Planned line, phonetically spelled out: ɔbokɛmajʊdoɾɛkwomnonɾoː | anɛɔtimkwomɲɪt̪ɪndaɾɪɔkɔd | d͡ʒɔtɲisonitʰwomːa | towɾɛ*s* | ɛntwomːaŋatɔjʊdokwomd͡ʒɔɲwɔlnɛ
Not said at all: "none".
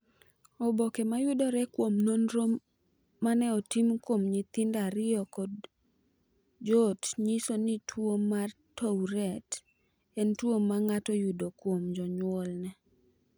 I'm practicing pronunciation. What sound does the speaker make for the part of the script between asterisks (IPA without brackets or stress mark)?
t